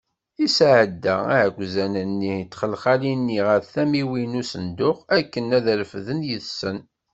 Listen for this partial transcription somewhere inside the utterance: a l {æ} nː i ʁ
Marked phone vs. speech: incorrect: i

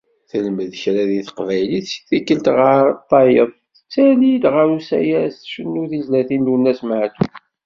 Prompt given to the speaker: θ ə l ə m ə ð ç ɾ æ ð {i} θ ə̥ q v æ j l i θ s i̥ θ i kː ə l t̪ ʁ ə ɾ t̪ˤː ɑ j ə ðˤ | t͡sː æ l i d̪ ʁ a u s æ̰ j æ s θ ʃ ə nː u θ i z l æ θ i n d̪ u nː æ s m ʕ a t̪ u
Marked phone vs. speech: correct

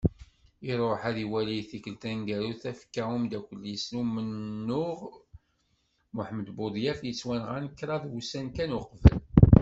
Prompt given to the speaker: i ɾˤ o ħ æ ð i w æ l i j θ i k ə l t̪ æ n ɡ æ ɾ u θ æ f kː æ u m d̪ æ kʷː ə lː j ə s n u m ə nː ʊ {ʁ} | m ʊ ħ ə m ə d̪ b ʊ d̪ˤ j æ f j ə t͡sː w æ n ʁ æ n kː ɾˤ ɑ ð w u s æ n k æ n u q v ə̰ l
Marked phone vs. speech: correct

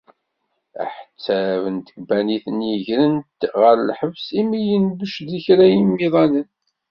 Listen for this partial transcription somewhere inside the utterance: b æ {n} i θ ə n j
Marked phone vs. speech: correct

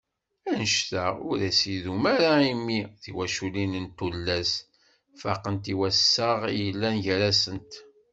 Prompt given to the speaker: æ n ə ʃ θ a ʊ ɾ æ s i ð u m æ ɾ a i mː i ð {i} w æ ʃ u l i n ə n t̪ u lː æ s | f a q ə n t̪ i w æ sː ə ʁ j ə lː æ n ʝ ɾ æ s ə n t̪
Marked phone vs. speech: correct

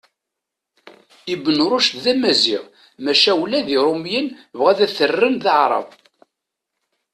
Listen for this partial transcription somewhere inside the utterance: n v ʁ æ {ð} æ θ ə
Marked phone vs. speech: correct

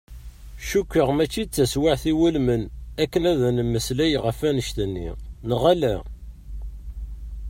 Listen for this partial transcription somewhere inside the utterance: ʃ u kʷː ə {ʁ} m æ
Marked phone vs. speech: correct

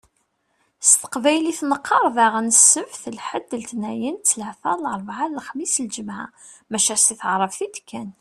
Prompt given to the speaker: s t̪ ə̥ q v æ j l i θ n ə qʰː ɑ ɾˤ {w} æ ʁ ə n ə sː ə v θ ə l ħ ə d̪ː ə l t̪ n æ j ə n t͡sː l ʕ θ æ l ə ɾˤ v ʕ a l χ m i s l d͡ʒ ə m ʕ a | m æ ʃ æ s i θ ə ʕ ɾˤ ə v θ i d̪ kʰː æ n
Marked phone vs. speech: incorrect: v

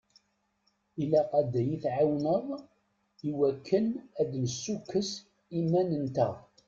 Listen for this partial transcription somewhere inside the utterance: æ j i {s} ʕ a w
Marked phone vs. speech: incorrect: θ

